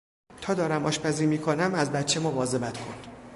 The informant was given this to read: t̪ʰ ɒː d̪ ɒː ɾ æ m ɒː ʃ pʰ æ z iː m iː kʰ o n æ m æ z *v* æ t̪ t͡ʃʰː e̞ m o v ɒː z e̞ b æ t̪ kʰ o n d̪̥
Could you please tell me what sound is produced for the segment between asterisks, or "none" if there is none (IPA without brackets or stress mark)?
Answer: b